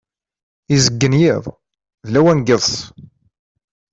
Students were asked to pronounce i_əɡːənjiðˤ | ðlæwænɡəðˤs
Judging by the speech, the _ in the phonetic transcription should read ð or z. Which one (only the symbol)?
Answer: z